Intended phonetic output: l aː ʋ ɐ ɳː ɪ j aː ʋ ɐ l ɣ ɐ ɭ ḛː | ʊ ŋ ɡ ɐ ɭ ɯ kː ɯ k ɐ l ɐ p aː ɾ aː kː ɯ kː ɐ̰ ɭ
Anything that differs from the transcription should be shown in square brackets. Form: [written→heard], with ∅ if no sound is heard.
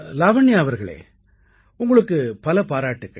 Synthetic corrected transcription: l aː ʋ ɐ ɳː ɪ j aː ʋ ɐ [l→ɾ] ɣ ɐ ɭ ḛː | ʊ ŋ ɡ ɐ ɭ ɯ kː ɯ [k→p] ɐ l ɐ p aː ɾ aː [kː→ʈː] ɯ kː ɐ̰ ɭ